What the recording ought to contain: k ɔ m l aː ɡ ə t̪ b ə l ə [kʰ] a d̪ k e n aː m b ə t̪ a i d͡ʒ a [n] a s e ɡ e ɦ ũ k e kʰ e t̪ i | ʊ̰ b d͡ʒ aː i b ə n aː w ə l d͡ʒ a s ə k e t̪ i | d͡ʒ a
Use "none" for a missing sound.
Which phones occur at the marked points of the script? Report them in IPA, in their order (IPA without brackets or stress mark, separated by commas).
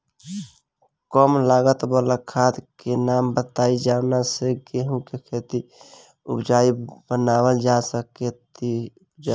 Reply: kʰ, n